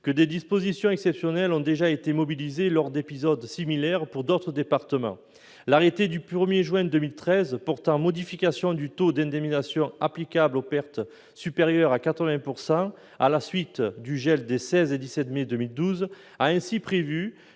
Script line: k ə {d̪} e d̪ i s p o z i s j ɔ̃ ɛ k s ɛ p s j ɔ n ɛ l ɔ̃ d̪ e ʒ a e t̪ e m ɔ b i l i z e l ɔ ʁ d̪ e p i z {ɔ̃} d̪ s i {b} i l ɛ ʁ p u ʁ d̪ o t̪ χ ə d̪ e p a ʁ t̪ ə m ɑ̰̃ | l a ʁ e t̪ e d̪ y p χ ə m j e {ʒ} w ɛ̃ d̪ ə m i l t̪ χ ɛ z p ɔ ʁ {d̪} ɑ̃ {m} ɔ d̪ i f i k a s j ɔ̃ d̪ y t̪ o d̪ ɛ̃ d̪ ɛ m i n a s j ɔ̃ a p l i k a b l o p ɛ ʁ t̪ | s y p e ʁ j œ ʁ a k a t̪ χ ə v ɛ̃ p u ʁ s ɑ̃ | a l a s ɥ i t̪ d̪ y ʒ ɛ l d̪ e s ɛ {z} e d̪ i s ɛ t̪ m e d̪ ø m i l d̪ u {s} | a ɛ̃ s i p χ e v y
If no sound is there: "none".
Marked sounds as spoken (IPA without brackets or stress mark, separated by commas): d̪, ɔ, m, ʒ, t̪, m, z, z